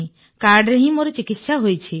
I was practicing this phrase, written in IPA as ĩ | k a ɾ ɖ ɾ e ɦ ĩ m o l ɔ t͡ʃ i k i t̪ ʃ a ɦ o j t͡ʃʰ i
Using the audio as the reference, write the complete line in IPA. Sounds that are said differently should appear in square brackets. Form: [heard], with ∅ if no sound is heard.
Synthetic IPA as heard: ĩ | k a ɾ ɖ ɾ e ɦ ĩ m o [ɾ] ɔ t͡ʃ i k i t̪ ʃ a ɦ o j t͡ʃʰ i